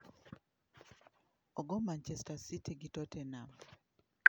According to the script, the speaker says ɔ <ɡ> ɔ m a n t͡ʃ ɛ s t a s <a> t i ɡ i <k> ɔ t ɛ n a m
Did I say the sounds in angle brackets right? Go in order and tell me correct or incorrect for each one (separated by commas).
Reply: correct, incorrect, incorrect